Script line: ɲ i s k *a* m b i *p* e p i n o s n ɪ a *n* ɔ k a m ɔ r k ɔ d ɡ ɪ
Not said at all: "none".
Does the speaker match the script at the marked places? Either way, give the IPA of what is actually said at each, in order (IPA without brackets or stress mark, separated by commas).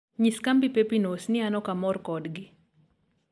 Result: a, p, n